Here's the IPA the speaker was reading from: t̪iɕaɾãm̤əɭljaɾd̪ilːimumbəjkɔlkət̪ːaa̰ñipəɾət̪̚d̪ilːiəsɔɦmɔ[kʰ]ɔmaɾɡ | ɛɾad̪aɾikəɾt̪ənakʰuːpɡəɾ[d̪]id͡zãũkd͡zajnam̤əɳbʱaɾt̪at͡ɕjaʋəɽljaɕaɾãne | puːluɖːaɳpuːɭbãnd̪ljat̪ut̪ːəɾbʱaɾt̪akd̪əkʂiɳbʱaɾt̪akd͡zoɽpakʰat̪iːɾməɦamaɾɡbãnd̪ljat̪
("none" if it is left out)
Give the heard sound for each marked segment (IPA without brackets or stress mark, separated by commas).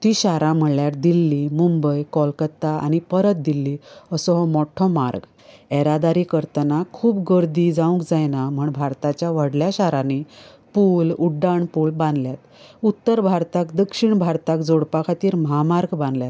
ʈʰ, d̪